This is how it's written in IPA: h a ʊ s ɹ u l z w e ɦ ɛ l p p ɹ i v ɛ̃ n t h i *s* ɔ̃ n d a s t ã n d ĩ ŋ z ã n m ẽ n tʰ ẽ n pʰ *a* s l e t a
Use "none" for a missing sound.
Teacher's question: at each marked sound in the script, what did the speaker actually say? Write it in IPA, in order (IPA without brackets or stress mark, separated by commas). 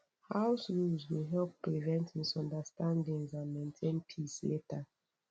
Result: s, i